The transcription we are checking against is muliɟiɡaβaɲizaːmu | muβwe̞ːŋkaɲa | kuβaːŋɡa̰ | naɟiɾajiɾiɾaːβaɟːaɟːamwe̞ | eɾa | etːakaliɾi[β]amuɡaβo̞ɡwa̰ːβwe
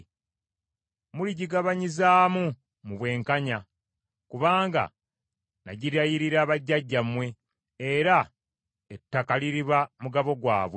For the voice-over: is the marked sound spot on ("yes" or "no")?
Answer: yes